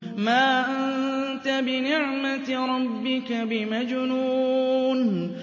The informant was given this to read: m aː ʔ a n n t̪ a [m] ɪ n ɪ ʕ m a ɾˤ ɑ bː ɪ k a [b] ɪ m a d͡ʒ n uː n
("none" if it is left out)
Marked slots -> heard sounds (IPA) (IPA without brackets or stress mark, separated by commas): b, b